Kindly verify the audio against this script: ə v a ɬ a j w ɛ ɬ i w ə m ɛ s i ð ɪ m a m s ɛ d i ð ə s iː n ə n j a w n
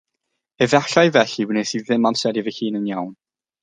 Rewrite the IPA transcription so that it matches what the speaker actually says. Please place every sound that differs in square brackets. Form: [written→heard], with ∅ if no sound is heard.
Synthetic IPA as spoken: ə v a ɬ a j [w→v] ɛ ɬ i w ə [m→n] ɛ s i ð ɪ m a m s ɛ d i [ð→v] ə [s→h] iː n ə n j a w n